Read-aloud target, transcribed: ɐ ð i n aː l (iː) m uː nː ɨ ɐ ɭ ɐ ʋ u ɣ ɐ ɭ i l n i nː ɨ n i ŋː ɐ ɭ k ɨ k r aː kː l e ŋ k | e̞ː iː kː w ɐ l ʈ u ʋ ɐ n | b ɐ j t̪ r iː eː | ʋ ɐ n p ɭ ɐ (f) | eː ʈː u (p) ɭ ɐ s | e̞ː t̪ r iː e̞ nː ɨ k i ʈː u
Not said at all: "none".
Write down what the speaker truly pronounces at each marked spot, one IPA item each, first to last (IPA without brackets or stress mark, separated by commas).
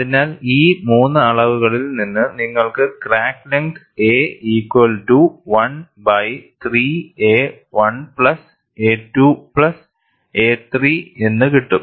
iː, s, p